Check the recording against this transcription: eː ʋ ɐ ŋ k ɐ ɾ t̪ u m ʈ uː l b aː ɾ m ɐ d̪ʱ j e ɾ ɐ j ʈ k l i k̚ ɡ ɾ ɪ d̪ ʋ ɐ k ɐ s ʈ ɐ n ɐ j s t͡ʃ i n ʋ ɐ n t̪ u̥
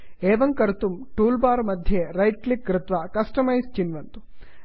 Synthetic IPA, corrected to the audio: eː ʋ ɐ ŋ k ɐ ɾ t̪ u m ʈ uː l b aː ɾ m ɐ d̪ʱ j e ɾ ɐ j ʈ k l i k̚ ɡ ɾ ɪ t̪ ʋ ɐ k ɐ s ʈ ɐ m ɐ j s t͡ʃ i n ʋ ɐ n t̪ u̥